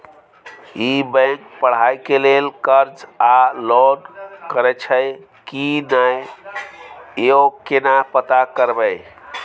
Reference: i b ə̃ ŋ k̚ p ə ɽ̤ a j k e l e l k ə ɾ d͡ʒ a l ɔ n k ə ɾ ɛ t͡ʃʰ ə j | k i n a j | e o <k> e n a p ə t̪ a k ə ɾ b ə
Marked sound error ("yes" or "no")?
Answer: no